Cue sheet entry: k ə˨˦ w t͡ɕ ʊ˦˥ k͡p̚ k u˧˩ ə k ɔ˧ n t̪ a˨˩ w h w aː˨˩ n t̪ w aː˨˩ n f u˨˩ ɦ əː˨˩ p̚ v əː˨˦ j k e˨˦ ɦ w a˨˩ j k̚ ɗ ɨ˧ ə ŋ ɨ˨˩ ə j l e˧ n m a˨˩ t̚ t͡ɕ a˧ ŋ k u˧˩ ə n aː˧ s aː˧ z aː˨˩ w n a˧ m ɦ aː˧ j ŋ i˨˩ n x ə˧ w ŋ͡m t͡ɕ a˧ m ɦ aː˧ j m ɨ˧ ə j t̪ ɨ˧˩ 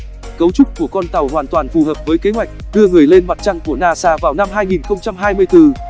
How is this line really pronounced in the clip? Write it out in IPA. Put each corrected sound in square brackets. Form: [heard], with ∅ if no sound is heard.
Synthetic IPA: k ə˨˦ w t͡ɕ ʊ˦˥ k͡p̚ k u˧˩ ə k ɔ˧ n t̪ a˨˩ w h w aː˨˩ n t̪ w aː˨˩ n f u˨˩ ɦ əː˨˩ p̚ v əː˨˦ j k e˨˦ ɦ w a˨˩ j k̚ ɗ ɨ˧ ə ŋ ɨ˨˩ ə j l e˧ n m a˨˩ t̚ t͡ɕ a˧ ŋ k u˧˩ ə n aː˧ s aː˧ [v] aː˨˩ w n a˧ m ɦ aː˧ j ŋ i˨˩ n x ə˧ w ŋ͡m t͡ɕ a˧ m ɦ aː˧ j m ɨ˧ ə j t̪ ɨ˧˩